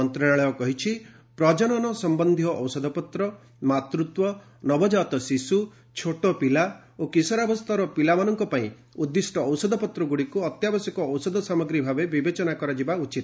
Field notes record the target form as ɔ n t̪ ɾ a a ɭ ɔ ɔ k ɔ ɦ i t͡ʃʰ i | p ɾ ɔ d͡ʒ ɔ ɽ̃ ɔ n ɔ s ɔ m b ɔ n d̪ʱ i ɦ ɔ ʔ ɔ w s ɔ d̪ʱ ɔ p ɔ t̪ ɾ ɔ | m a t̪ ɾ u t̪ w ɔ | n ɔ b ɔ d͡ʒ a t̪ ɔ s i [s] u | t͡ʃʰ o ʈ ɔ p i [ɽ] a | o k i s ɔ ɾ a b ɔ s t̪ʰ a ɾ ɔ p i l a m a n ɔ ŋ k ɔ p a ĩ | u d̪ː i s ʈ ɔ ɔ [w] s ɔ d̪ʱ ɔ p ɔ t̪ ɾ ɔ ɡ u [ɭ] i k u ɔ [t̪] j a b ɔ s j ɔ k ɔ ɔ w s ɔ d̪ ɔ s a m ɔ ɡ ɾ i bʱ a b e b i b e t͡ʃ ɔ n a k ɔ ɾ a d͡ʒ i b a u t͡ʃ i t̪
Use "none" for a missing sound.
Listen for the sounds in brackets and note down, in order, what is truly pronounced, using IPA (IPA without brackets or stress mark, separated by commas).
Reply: s, l, w, ɽ, t̪